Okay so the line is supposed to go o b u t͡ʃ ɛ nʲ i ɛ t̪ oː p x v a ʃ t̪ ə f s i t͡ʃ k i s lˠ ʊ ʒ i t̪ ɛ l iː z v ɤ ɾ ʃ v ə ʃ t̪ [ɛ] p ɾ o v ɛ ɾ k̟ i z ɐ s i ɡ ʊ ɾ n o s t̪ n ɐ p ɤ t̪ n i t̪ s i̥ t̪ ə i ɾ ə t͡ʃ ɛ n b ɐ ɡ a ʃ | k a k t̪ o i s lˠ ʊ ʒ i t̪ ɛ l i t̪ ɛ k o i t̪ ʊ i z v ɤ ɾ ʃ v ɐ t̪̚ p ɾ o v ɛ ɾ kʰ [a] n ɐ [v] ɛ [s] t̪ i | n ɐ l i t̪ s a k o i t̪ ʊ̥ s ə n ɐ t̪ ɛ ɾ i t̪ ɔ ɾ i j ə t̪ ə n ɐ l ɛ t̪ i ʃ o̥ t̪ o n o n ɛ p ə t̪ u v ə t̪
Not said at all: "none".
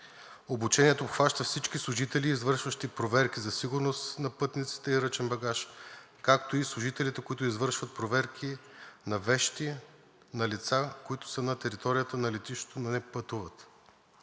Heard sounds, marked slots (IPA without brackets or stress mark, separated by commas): i, i, v, ʃ